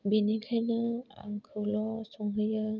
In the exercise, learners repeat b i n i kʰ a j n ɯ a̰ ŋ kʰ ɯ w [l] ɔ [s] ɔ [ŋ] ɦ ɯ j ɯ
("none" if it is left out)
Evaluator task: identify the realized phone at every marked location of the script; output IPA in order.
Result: l, s, ŋ

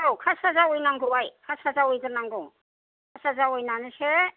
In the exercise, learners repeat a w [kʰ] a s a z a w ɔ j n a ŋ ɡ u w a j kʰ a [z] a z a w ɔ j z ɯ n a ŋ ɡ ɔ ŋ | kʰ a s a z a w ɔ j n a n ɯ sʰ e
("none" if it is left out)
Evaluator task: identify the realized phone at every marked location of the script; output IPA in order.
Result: kʰ, s

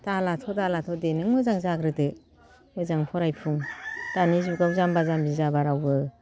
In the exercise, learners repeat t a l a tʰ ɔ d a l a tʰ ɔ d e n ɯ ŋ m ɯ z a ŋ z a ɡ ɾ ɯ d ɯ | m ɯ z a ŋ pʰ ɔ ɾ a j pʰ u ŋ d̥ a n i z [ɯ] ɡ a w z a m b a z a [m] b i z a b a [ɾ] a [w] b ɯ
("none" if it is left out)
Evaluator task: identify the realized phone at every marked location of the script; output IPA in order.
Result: u, m, ɾ, w

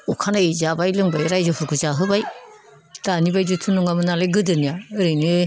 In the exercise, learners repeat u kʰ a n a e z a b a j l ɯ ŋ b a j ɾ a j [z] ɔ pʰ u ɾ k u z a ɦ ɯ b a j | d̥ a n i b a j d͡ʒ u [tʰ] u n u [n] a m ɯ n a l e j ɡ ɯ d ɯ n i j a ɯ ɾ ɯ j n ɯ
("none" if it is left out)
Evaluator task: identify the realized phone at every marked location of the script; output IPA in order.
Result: z, tʰ, ŋ

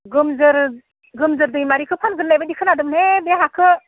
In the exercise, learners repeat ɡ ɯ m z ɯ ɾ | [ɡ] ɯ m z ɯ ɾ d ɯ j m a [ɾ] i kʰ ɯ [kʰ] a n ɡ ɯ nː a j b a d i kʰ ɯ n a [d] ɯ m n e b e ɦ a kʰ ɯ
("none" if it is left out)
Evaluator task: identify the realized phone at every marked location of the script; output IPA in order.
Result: ɡ, ɾ, pʰ, d

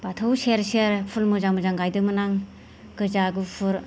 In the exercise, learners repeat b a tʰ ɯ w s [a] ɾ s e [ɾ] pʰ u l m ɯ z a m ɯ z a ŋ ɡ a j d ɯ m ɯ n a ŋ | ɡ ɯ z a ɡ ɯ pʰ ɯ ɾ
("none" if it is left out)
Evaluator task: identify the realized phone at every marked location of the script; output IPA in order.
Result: e, ɾ

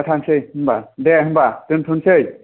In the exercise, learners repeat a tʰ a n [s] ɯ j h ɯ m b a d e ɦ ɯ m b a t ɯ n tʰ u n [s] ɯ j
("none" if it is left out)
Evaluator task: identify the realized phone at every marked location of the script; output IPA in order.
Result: s, s

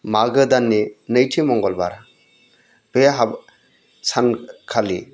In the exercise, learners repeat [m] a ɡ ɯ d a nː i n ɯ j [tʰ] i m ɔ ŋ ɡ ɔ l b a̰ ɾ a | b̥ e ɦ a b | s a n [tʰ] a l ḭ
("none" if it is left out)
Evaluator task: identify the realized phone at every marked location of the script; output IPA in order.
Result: m, tʰ, kʰ

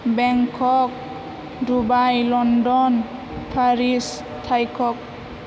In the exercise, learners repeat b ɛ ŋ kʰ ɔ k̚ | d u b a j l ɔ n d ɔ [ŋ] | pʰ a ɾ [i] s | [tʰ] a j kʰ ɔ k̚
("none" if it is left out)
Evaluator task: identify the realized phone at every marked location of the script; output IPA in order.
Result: n, i, tʰ

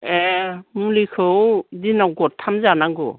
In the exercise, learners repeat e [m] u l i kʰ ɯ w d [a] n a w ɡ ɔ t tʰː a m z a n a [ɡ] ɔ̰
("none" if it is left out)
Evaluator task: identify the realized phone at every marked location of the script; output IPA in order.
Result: m, i, ɡ

